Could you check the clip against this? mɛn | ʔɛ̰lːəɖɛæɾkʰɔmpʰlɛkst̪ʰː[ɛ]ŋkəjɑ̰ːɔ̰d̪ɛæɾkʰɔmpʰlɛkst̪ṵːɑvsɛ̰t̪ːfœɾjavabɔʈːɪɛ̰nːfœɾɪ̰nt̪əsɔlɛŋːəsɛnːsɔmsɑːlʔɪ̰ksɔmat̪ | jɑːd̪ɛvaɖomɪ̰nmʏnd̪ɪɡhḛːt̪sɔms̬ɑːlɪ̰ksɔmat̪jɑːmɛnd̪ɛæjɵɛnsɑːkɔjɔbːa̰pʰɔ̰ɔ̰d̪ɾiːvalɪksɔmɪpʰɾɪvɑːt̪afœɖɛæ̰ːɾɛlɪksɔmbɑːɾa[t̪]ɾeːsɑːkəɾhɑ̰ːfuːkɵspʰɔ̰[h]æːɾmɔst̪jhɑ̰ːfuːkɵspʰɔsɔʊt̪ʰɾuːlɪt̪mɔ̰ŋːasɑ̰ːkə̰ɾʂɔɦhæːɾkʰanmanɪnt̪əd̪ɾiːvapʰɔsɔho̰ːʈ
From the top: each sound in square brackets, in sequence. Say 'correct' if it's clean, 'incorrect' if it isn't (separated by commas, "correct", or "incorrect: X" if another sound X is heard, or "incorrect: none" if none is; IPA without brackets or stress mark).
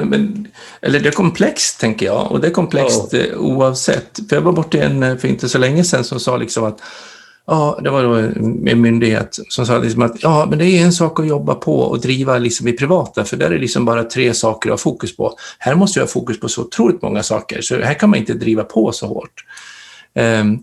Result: correct, incorrect: t̪ʰ, correct